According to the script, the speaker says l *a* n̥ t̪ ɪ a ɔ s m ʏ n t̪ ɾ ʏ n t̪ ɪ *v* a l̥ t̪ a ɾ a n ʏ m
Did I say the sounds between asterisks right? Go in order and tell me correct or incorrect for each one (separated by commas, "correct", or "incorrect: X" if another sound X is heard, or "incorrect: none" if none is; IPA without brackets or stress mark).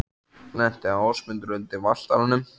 incorrect: ɛ, correct